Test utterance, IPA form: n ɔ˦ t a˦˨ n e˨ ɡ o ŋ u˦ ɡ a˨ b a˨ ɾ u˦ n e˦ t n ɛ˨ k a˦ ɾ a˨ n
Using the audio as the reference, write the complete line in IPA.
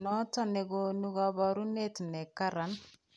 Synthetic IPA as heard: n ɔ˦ t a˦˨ n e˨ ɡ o n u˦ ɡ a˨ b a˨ ɾ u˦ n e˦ t n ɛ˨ k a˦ ɾ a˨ n